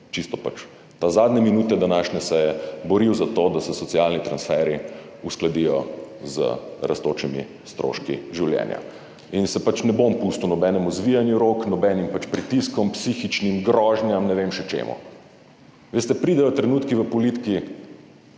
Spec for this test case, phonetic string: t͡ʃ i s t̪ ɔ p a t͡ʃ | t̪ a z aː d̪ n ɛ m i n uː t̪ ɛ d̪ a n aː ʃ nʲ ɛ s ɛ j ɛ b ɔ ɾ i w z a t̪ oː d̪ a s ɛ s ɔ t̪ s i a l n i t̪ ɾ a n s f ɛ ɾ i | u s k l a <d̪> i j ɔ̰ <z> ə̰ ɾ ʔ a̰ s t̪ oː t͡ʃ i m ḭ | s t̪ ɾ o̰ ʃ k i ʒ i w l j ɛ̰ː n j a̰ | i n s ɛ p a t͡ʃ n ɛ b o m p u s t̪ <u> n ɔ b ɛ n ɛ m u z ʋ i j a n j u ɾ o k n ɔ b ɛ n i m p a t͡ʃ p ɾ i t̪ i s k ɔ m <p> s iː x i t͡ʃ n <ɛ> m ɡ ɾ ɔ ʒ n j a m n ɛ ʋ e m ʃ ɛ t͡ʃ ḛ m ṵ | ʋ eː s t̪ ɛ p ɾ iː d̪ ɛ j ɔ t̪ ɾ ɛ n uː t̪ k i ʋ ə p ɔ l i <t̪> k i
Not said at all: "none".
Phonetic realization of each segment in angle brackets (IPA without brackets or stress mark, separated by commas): d̪, z, u, p, i, t̪